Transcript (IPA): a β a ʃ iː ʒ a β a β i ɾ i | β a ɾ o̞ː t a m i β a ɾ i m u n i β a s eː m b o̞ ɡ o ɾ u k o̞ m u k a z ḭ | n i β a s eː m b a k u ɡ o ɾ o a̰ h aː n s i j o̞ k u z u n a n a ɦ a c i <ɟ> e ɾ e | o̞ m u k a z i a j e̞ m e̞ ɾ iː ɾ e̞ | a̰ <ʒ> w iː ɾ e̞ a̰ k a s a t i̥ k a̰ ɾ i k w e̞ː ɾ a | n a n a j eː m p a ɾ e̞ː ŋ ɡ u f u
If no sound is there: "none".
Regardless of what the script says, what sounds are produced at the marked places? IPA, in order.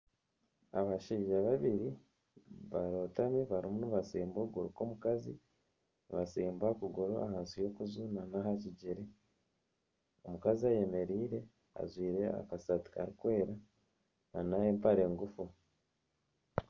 ɟ, z

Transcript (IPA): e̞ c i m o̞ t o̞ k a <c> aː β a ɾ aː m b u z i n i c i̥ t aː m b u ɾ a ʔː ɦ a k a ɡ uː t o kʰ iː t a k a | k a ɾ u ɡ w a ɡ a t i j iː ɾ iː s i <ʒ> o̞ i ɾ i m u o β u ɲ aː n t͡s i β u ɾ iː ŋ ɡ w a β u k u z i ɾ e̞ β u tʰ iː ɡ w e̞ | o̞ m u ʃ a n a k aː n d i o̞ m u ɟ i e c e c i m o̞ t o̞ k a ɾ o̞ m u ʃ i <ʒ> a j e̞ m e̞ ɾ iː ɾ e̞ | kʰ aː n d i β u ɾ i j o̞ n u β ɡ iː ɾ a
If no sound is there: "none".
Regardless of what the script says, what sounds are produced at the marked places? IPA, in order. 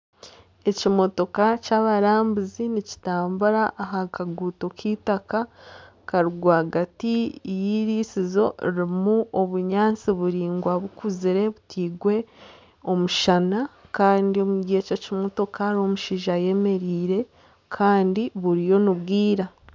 c, z, ʒ

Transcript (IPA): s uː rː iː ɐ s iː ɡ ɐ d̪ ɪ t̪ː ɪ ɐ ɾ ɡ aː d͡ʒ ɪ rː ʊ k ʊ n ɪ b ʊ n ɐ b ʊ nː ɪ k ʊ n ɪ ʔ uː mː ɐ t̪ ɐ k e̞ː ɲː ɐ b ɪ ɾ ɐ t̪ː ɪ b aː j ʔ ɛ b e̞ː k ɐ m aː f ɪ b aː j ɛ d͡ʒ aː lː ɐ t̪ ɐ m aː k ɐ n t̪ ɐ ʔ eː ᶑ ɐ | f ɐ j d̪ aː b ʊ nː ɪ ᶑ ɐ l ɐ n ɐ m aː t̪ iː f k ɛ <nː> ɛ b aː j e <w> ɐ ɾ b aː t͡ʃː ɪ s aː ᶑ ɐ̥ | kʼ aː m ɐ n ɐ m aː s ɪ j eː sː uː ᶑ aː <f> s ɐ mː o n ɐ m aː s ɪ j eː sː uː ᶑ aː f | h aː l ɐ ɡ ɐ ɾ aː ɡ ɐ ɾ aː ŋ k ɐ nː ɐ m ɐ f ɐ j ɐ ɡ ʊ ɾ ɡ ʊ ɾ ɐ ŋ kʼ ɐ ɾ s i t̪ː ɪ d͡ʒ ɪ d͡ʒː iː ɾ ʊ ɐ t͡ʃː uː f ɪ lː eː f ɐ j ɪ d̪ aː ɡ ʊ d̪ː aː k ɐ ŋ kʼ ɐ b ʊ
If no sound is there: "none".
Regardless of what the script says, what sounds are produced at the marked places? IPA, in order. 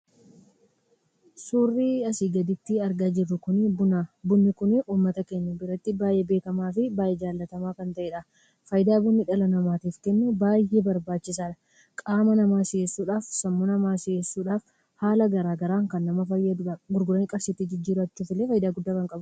nː, b, f

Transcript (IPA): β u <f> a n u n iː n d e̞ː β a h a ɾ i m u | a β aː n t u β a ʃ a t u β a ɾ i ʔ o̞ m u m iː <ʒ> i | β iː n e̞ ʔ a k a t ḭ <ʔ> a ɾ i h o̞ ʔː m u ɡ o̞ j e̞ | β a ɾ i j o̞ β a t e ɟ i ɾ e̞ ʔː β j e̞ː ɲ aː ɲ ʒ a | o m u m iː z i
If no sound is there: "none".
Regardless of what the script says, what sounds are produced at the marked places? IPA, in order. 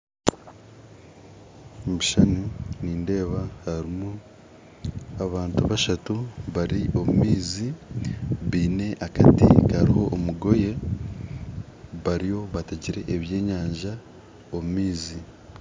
ʃ, z, k

